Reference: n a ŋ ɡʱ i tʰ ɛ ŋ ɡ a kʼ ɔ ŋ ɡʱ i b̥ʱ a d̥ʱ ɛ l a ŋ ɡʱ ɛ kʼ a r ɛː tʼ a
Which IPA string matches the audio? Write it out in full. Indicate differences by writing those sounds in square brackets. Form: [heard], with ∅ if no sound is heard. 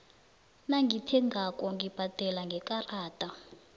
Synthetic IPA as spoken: n a ŋ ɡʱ i tʰ ɛ ŋ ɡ a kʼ ɔ ŋ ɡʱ i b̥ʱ a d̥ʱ ɛ l a ŋ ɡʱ ɛ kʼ a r [aː] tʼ a